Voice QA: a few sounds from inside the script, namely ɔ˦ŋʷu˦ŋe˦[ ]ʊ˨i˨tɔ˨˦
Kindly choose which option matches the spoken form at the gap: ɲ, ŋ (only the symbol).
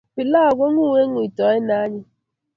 ŋ